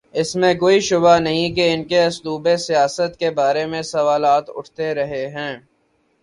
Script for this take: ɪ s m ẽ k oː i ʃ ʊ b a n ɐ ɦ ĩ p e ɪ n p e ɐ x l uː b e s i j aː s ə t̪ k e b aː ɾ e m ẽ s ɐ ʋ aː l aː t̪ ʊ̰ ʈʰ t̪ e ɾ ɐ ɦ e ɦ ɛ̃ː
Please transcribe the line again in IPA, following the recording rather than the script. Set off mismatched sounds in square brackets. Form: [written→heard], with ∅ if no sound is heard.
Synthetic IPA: ɪ s m ẽ k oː i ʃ ʊ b a n ɐ ɦ ĩ [p→k] e ɪ n [p→k] e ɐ [x→s] l uː b e s i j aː s ə t̪ k e b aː ɾ e m ẽ s ɐ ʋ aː l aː t̪ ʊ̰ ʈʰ t̪ e ɾ ɐ ɦ e ɦ ɛ̃ː